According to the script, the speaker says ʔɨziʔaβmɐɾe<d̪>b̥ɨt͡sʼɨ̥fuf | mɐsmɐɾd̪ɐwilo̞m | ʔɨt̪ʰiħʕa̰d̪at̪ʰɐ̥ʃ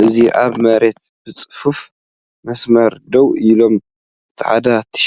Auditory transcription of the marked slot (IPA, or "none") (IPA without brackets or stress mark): t̪